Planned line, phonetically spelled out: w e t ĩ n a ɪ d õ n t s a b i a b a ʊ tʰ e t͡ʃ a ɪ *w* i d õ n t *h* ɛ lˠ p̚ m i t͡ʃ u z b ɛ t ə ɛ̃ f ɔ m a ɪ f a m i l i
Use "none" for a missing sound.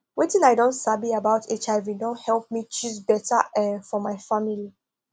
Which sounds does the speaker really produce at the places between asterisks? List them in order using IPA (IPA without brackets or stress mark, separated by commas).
v, h